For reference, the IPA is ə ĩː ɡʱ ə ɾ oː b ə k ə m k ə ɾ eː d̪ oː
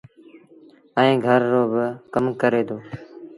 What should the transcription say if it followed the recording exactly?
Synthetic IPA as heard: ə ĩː ɡʱ ə ɾː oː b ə k ə m k ə ɾ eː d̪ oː